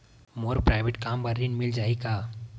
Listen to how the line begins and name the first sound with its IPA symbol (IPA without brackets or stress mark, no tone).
m